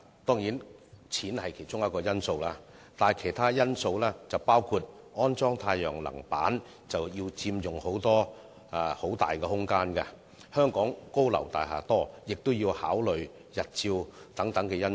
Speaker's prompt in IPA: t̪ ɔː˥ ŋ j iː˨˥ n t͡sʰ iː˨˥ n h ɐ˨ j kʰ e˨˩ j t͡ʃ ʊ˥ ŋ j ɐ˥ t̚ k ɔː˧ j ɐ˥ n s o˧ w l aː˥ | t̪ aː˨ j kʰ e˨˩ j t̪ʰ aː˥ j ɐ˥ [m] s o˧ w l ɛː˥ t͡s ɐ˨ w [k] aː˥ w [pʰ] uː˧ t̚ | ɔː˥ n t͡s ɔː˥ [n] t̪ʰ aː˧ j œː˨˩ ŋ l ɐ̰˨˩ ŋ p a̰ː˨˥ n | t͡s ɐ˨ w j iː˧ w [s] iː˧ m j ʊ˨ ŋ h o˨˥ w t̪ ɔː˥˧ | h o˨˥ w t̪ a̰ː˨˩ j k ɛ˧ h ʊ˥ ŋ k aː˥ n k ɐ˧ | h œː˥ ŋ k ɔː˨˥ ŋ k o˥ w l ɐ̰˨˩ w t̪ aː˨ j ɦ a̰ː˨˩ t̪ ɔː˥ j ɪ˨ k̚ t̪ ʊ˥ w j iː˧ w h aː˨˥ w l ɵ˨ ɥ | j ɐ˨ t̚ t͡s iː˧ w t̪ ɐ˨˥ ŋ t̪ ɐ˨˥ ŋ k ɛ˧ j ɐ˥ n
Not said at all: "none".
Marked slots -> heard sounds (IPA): n, p, kʰ, ŋ, t͡s

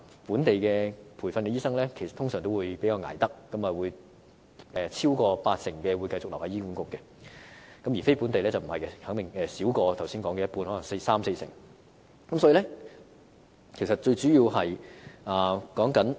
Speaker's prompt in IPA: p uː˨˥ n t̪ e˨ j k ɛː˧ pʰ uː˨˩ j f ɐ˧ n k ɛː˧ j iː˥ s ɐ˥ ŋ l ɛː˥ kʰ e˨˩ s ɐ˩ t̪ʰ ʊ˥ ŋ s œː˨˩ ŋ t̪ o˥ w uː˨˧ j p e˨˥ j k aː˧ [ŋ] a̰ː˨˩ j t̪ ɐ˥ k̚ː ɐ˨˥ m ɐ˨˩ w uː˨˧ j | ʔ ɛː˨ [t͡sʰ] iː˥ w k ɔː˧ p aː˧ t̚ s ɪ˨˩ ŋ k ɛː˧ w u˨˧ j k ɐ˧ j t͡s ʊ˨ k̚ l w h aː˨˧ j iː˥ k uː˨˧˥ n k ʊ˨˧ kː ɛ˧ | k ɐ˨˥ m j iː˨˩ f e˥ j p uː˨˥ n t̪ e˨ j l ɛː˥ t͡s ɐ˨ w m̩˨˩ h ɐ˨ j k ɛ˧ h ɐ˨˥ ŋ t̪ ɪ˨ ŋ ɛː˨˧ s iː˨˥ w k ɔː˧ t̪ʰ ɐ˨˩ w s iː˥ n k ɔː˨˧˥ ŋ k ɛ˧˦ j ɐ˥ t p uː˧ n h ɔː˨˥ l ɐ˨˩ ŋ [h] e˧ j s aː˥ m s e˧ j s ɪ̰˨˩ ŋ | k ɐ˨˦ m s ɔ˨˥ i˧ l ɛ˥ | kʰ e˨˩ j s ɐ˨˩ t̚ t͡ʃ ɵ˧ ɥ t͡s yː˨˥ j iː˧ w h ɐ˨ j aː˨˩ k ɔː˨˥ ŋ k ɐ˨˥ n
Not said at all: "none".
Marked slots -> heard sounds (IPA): ŋ, t͡sʰ, s

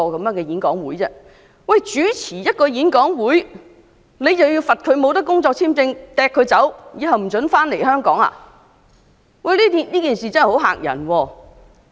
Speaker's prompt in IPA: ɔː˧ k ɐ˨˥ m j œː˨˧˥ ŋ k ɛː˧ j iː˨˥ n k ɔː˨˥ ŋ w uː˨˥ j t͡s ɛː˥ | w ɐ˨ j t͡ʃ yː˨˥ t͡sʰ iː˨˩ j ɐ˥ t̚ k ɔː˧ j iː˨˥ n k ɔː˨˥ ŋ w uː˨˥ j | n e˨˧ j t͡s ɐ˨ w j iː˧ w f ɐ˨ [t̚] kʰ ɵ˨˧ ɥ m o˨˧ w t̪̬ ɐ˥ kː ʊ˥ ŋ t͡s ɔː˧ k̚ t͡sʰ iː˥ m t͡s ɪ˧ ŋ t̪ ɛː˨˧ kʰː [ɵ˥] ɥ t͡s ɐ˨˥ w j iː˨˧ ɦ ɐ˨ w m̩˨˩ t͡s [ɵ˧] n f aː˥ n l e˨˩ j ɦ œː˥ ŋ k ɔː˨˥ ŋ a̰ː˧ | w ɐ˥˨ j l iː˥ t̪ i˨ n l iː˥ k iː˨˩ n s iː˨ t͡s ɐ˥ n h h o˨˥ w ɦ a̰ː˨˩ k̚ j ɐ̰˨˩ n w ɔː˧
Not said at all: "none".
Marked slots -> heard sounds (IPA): t̚, ɵ˨˧, ɵ˨˥

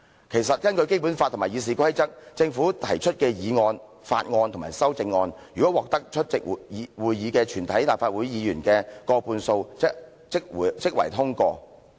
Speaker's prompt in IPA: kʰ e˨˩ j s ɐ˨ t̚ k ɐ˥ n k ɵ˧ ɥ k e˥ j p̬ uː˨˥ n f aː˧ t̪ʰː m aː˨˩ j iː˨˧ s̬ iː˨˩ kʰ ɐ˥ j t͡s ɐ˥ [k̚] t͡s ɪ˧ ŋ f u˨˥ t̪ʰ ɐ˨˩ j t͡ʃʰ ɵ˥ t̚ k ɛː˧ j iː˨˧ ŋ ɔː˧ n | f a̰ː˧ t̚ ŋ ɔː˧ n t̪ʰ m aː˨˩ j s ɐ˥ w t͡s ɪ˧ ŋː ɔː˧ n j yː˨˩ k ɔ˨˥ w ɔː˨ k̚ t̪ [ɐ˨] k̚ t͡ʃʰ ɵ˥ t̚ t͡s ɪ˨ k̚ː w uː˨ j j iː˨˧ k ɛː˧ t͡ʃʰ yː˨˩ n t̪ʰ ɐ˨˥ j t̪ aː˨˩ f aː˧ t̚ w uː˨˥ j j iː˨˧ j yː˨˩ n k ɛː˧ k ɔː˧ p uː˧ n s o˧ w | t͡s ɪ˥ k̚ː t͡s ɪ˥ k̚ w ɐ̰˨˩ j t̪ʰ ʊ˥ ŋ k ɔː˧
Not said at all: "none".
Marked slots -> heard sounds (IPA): k̚, ɐ˥

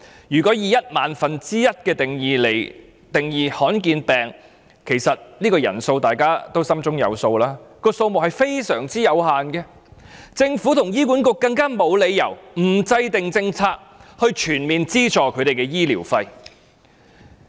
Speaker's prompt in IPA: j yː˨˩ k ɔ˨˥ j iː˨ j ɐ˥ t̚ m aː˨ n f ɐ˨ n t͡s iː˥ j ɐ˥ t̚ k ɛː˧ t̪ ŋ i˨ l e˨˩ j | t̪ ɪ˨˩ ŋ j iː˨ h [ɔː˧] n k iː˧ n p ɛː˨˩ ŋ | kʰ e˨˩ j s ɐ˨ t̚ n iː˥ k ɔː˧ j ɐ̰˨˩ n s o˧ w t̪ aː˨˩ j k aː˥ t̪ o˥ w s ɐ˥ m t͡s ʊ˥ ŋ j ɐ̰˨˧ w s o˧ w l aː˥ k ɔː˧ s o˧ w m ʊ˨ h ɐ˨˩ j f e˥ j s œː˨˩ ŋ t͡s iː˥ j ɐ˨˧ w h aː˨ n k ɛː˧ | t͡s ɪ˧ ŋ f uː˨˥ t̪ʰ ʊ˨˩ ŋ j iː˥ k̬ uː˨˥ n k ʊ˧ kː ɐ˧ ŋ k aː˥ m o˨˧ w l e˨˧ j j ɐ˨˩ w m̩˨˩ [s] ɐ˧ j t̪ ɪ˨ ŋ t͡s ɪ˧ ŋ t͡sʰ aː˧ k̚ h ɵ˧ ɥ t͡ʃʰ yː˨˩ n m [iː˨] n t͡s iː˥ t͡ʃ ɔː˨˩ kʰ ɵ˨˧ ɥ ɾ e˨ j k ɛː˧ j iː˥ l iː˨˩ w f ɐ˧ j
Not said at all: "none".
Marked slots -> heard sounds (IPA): ɔː˨˥, t͡s, iː˨

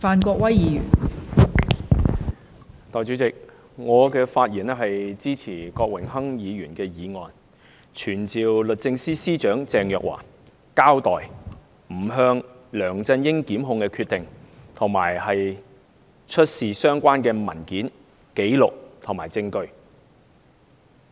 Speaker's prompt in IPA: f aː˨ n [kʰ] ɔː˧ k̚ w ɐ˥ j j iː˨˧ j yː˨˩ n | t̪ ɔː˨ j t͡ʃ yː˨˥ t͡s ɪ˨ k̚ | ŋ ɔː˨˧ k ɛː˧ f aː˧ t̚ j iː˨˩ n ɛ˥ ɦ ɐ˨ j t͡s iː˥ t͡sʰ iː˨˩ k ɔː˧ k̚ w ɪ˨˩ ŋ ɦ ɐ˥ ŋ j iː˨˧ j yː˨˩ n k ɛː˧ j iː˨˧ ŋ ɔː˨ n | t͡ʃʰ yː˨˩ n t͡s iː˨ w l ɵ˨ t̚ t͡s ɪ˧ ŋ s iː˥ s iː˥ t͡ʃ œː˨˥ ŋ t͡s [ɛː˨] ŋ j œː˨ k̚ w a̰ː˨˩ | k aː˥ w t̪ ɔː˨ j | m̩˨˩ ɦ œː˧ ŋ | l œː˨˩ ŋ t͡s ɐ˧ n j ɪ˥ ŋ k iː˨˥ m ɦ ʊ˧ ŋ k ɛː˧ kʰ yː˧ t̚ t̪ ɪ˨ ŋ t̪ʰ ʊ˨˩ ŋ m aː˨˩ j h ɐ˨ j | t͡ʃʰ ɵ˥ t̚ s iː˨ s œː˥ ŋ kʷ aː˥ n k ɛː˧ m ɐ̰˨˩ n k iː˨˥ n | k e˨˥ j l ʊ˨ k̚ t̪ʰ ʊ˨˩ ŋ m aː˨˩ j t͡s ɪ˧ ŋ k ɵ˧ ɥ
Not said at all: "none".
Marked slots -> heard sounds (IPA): k, ɛː˨

